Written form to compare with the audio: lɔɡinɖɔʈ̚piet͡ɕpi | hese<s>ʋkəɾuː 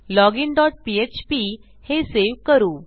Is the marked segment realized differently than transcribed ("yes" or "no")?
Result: yes